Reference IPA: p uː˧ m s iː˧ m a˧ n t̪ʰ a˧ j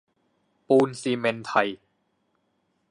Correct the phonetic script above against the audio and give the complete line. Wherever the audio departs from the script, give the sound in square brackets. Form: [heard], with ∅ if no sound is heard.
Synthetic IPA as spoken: p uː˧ [n] s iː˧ m [e˧] n t̪ʰ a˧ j

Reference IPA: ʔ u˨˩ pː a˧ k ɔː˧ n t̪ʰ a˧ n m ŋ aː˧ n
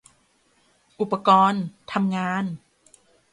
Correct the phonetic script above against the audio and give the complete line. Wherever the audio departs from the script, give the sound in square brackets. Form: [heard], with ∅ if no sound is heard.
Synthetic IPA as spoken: ʔ u˨˩ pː a˧ k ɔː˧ n t̪ʰ a˧ [∅] m ŋ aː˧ n

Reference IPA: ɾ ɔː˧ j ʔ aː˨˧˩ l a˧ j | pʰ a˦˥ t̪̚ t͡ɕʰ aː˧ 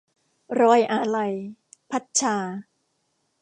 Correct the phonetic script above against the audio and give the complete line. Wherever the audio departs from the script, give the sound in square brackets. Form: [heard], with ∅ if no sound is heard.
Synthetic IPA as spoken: ɾ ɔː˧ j ʔ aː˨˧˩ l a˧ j | pʰ a˦˥ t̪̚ t͡ɕʰ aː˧

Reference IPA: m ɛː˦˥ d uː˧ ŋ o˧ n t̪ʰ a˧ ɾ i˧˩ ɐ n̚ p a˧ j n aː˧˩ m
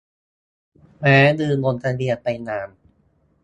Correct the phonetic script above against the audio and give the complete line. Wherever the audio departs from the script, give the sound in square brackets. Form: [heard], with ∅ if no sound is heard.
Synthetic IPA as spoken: m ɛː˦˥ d [ɯː˧] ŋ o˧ n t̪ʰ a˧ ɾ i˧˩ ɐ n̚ p a˧ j n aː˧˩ m

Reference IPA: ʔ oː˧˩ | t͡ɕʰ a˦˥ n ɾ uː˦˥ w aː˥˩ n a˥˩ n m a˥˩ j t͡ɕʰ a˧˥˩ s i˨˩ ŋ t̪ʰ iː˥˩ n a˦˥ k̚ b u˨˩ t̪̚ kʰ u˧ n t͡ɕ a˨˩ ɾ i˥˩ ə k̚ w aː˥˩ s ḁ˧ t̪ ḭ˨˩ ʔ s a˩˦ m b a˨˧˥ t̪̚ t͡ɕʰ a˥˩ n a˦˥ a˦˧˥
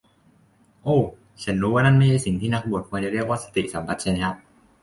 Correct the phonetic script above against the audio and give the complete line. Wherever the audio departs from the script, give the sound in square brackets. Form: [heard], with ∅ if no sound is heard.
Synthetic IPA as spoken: ʔ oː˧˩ | t͡ɕʰ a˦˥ n ɾ uː˦˥ w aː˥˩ n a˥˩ n m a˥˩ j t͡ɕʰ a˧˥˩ s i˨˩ ŋ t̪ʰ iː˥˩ n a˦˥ k̚ b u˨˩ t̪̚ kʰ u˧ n t͡ɕ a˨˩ ɾ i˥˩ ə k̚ w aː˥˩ s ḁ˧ t̪ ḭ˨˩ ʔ s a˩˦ m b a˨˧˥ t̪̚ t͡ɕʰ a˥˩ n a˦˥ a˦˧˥

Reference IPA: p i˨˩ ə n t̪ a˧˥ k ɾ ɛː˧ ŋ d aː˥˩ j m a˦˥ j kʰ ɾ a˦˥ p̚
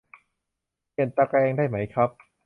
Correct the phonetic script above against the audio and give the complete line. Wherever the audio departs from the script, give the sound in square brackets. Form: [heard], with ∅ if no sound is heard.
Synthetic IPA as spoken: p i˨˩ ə n t̪ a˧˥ k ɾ ɛː˧ ŋ d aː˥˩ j m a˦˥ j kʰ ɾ a˦˥ p̚

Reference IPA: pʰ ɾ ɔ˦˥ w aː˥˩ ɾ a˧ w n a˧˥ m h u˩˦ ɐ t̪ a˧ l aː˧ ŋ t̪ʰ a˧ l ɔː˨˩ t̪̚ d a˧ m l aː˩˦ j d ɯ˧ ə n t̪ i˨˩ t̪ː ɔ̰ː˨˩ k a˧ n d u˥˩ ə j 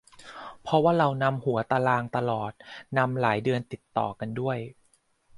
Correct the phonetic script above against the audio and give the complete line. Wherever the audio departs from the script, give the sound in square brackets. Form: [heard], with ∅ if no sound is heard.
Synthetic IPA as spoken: pʰ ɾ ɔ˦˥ w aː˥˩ ɾ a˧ w n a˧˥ m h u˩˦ ɐ t̪ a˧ l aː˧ ŋ [t̪] a˧ l ɔː˨˩ t̪̚ [n] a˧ m l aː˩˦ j d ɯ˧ ə n t̪ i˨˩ t̪ː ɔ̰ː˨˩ k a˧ n d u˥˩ ə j

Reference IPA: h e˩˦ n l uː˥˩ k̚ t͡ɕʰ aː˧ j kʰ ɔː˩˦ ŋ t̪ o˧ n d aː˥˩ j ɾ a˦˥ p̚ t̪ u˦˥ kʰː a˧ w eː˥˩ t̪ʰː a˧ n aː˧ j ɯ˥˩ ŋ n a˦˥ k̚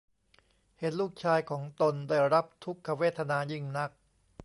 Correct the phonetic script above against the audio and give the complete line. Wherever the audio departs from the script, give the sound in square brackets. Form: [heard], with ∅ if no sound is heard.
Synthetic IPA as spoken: h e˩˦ n l uː˥˩ k̚ t͡ɕʰ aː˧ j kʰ ɔː˩˦ ŋ t̪ o˧ n d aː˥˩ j ɾ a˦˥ p̚ [t̪ʰ] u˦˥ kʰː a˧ w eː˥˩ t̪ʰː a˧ n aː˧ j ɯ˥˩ ŋ n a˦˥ k̚

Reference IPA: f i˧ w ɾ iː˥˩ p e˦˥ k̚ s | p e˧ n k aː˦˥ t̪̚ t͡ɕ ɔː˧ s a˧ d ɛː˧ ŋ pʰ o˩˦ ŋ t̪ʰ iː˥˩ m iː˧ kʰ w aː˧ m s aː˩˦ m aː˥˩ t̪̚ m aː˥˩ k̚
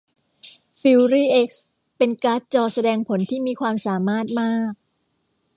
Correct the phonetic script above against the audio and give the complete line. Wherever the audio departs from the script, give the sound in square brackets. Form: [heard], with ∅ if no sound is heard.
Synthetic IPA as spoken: f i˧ w ɾ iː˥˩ [ʔ] e˦˥ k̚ s | p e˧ n k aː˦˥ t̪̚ t͡ɕ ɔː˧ s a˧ d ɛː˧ ŋ pʰ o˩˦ [n] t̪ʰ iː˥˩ m iː˧ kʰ w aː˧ m s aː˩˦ m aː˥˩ t̪̚ m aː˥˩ k̚

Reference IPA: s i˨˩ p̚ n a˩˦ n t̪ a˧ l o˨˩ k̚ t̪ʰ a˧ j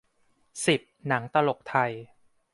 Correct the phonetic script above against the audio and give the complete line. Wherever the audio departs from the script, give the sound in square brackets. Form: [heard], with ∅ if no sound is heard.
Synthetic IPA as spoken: s i˨˩ p̚ n a˩˦ [ŋ] t̪ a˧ l o˨˩ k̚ t̪ʰ a˧ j

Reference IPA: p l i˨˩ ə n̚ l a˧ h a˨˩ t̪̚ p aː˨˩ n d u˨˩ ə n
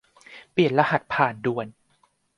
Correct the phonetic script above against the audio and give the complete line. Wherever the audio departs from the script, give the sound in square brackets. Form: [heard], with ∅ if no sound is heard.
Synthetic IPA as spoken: p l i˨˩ ə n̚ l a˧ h a˨˩ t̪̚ [pʰ] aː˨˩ n d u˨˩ ə n

